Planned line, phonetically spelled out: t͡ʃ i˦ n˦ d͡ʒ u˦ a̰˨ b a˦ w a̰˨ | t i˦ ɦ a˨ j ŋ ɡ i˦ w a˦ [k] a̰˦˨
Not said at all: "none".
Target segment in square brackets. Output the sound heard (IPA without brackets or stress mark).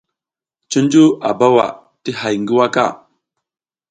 k